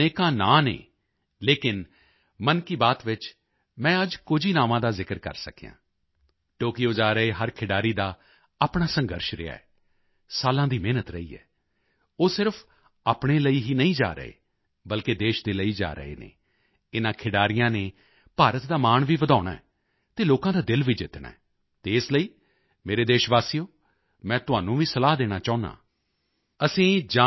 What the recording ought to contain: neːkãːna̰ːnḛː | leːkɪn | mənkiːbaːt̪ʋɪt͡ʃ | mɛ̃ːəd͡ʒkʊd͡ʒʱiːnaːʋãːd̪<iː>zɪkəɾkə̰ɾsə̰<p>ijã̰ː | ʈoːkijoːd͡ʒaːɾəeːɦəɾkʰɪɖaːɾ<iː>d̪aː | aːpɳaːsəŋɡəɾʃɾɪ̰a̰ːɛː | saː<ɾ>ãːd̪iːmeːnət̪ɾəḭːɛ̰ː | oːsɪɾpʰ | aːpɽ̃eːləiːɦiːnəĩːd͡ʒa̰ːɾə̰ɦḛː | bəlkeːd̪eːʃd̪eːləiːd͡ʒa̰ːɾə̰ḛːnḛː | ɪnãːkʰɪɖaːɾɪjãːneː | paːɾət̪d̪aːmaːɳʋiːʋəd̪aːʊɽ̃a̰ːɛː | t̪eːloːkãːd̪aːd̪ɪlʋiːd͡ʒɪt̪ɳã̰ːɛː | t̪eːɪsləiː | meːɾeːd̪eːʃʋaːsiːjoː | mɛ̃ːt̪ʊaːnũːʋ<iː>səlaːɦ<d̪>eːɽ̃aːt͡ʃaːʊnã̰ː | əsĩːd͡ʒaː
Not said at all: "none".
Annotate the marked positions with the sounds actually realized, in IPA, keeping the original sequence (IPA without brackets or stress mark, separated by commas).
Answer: aː, k, iː, l, iː, d̪